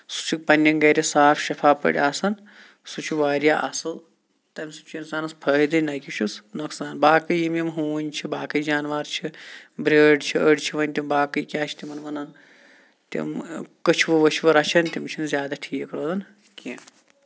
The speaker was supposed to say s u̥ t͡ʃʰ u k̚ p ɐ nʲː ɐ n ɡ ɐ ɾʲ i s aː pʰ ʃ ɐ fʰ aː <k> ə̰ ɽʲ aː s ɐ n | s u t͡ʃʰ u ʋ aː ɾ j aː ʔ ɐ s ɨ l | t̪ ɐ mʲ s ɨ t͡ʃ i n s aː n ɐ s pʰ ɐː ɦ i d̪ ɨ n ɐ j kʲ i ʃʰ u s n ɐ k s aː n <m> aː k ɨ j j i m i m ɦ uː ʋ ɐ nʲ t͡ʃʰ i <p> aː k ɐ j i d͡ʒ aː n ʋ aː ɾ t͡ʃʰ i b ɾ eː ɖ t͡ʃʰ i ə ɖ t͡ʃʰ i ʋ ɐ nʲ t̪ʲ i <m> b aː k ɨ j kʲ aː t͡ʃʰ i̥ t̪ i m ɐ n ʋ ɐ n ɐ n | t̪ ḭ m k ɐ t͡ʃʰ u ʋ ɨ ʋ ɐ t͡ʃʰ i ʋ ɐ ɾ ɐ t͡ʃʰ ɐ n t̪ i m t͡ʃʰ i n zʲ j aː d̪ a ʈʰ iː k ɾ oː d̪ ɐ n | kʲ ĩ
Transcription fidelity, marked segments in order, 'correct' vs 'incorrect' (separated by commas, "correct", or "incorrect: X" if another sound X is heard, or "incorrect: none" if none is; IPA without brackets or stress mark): incorrect: p, incorrect: b, incorrect: b, correct